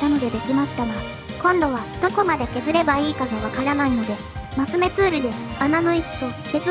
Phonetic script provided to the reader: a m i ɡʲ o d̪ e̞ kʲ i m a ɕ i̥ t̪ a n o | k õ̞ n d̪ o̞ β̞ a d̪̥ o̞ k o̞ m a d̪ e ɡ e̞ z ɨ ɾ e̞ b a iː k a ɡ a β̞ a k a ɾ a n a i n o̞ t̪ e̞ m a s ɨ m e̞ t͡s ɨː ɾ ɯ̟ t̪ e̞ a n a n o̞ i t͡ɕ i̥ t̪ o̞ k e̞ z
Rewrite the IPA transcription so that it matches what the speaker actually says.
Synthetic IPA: a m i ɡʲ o d̪ e̞ kʲ i m a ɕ i̥ t̪ a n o | k õ̞ n d̪ o̞ β̞ a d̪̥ o̞ k o̞ m a d̪ e k e̞ z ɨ ɾ e̞ b a iː k a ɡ a β̞ a k a ɾ a n a i n o̞ d̪ e̞ m a s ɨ m e̞ t͡s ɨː ɾ ɯ̟ d̪ e̞ a n a n o̞ i t͡ɕ i̥ t̪ o̞ k e̞ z